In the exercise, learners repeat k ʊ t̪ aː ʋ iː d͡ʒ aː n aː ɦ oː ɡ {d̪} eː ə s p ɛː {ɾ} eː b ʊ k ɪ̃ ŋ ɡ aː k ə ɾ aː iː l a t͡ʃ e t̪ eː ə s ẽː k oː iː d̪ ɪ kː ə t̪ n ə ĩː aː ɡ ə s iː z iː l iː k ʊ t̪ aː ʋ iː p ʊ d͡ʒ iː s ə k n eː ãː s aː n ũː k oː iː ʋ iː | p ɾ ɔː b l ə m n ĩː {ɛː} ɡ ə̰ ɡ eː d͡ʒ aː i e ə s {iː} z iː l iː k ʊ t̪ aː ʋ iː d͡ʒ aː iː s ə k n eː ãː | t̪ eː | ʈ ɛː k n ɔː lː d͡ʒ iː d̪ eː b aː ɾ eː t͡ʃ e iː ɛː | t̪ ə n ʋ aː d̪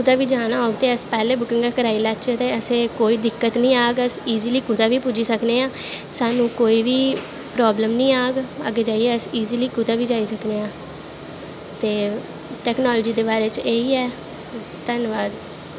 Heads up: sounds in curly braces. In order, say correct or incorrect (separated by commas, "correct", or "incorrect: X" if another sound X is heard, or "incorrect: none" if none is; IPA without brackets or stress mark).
incorrect: t̪, incorrect: l, incorrect: aː, correct